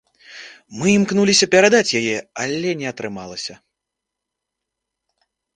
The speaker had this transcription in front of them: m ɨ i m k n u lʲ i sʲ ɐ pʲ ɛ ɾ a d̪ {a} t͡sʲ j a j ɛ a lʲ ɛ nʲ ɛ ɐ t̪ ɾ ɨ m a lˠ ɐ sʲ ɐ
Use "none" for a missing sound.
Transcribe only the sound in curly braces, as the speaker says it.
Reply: a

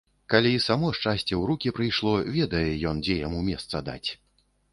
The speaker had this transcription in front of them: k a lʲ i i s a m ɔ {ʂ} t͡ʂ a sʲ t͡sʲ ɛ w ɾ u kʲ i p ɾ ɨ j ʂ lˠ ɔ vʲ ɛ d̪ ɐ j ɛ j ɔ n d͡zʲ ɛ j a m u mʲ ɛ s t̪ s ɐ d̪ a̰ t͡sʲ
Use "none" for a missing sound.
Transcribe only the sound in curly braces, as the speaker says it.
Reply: ʂ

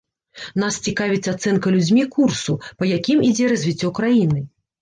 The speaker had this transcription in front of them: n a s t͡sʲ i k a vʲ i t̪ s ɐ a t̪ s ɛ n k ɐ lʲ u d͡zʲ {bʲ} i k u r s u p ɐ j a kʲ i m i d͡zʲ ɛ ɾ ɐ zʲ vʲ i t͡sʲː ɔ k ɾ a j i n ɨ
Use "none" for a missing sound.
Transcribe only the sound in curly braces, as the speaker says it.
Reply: mʲ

